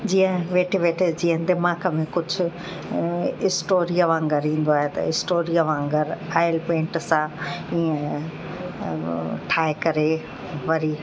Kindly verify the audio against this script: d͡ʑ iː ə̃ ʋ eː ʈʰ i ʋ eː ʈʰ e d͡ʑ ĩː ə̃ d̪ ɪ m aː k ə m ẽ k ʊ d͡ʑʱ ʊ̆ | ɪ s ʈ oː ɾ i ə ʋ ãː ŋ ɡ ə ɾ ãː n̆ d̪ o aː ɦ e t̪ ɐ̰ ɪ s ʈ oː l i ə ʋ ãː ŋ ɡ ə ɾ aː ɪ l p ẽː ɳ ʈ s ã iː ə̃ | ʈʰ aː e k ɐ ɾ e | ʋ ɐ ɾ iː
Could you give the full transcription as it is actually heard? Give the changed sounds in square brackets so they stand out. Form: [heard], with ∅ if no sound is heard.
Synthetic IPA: d͡ʑ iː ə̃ ʋ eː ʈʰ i ʋ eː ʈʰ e d͡ʑ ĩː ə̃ d̪ ɪ m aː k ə m ẽ k ʊ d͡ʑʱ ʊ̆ | ɪ s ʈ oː ɾ i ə ʋ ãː ŋ ɡ ə ɾ [ĩː] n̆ d̪ o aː ɦ e t̪ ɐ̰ ɪ s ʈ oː [ɾ] i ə ʋ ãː ŋ ɡ ə ɾ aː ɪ l p ẽː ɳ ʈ s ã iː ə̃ | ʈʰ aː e k ɐ ɾ e | ʋ ɐ ɾ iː